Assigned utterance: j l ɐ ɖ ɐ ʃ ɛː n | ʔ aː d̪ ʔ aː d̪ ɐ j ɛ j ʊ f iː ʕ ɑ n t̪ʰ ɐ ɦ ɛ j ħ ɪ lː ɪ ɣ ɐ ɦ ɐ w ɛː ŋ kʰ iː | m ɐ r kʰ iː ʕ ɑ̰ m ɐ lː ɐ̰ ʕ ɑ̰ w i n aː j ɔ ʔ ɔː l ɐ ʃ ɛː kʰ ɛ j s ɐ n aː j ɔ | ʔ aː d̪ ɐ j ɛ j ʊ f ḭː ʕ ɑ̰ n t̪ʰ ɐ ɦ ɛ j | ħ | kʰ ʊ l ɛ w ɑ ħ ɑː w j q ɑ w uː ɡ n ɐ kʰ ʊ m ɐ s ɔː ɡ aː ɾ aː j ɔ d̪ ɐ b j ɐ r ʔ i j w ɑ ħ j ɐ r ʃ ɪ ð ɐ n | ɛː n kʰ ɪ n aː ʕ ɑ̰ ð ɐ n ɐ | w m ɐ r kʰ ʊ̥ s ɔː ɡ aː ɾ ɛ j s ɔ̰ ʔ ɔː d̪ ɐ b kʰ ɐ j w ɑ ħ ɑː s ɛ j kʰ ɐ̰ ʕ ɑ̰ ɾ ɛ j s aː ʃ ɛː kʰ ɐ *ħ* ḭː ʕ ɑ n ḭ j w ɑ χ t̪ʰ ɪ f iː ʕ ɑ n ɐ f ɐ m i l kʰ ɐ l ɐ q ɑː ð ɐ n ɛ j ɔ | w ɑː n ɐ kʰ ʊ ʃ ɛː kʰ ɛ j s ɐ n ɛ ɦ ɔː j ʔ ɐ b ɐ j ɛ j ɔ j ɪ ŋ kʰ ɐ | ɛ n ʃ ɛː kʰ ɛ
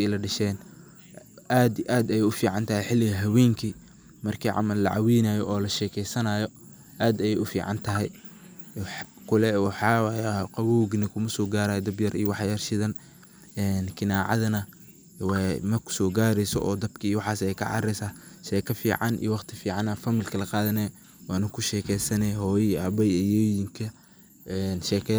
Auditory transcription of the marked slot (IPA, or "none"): f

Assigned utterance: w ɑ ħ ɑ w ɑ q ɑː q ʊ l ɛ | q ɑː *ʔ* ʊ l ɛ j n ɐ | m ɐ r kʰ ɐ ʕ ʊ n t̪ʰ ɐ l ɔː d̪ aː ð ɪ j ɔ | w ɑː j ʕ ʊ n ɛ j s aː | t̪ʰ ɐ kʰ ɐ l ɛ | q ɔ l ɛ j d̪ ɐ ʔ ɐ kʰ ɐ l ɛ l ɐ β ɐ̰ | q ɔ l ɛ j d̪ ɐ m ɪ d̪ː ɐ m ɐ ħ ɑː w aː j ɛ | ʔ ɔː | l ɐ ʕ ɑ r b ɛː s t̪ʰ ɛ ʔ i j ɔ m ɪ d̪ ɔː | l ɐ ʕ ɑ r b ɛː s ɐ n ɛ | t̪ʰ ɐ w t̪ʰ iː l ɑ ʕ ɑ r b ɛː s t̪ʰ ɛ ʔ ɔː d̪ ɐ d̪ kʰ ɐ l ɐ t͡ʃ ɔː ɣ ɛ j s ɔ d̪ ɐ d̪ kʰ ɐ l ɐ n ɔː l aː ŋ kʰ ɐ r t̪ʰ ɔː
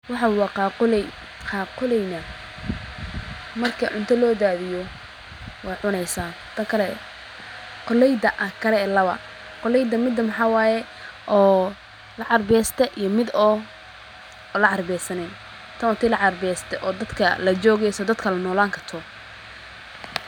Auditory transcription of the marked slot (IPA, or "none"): q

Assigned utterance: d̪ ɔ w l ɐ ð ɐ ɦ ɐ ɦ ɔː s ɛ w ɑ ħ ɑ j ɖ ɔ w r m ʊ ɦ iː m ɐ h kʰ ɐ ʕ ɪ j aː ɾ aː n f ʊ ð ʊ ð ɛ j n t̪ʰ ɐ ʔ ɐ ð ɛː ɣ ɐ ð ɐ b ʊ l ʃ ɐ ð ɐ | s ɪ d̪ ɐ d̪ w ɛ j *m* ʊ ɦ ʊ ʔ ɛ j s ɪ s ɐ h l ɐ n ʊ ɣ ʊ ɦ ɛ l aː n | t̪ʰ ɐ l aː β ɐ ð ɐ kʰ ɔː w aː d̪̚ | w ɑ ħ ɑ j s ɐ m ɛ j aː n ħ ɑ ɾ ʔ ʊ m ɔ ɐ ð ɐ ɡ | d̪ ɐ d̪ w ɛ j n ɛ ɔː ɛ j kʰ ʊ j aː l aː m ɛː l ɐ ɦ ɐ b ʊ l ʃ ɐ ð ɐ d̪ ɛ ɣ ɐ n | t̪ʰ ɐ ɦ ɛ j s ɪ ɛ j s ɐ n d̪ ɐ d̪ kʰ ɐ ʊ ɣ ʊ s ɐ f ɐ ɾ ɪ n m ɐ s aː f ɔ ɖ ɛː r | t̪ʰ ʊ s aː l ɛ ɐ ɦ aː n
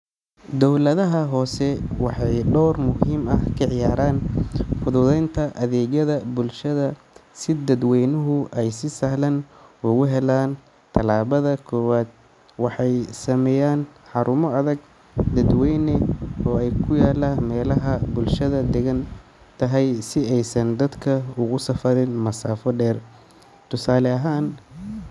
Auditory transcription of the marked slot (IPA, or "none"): n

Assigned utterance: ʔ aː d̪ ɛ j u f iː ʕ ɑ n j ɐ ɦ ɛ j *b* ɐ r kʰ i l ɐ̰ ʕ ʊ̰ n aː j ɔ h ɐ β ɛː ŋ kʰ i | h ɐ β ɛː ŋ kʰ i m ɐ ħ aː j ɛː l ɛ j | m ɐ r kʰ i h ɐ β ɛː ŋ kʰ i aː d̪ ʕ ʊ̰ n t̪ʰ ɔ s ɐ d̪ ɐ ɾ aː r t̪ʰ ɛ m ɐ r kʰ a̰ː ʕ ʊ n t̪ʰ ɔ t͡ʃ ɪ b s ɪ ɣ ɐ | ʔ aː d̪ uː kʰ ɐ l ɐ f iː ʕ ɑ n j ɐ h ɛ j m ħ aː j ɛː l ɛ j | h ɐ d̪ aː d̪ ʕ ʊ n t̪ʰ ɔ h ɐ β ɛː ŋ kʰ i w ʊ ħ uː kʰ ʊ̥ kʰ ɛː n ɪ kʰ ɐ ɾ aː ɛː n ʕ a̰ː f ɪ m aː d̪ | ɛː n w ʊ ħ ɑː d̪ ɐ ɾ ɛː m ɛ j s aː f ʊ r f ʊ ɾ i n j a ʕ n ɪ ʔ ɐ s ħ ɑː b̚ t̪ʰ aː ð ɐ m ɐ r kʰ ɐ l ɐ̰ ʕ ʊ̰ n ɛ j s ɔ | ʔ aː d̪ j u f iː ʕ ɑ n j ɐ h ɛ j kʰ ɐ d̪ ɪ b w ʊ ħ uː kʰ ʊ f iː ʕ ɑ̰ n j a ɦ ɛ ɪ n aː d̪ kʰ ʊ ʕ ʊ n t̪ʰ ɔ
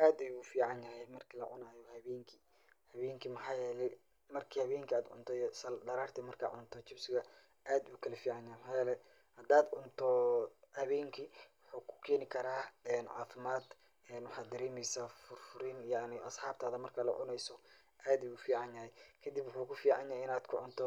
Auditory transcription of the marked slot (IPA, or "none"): m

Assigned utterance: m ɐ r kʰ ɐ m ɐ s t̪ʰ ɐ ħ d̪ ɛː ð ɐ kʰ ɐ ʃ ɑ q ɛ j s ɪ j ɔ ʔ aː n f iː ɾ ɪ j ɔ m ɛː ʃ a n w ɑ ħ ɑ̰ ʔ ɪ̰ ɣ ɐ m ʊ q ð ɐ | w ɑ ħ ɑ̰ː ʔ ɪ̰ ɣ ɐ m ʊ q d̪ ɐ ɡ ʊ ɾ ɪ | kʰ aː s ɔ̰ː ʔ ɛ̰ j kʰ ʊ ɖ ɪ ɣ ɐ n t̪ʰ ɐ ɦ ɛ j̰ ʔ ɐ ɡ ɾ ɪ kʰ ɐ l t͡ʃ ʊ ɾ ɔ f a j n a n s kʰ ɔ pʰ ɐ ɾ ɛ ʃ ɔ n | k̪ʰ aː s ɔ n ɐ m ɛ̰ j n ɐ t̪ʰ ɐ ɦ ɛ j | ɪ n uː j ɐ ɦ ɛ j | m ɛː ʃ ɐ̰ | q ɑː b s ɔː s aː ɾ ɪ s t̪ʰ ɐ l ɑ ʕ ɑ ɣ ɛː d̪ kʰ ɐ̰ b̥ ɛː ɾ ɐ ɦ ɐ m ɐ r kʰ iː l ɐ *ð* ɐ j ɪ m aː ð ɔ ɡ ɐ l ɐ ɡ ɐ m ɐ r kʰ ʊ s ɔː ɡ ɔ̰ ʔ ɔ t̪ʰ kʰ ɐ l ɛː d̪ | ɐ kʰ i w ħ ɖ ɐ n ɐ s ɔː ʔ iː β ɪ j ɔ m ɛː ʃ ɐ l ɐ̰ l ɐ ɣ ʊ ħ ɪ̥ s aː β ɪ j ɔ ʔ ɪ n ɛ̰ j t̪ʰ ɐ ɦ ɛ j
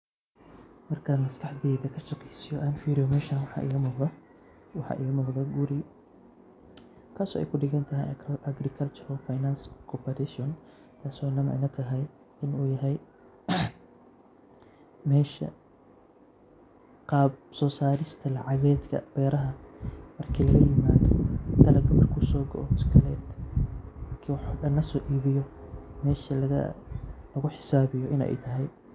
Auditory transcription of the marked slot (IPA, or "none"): ɣ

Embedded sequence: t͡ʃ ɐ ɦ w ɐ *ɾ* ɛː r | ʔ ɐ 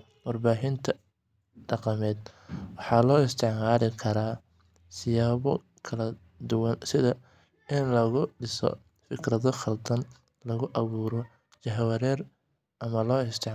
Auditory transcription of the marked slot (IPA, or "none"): ɾ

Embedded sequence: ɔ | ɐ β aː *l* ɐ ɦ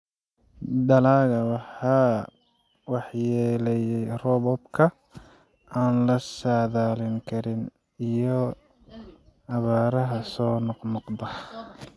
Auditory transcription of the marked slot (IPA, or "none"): ɾ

